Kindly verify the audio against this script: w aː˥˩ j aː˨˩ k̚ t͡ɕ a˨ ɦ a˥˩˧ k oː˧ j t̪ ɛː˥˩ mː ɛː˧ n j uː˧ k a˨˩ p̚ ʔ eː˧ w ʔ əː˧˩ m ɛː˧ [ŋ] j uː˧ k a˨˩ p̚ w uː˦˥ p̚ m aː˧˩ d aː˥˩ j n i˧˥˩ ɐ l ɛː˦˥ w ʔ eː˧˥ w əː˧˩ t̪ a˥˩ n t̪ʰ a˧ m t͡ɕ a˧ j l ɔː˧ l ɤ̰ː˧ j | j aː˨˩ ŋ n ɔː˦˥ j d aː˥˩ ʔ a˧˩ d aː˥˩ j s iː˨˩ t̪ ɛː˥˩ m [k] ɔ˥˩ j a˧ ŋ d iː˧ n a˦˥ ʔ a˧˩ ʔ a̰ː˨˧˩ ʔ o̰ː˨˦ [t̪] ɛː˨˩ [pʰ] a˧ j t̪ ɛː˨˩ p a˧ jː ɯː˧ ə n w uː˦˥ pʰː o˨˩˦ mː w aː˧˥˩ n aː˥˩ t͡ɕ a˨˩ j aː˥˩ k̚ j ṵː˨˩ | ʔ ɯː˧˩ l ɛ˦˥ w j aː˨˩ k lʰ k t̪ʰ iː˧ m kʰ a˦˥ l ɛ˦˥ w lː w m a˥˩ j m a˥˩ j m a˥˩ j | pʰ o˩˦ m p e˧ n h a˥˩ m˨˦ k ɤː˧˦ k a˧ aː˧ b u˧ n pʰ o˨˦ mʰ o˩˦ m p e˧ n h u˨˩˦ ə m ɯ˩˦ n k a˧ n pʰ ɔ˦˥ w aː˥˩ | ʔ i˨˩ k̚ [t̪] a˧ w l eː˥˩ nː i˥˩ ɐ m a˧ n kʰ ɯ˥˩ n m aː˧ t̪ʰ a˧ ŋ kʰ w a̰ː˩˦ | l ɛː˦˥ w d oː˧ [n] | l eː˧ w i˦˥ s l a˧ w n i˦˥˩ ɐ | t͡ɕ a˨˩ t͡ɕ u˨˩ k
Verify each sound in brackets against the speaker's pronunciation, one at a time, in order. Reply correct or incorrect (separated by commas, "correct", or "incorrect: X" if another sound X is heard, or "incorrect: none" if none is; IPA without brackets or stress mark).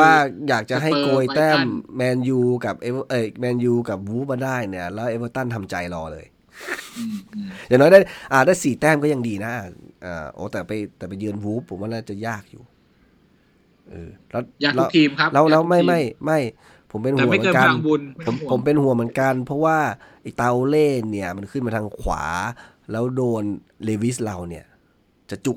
incorrect: n, correct, correct, incorrect: p, correct, correct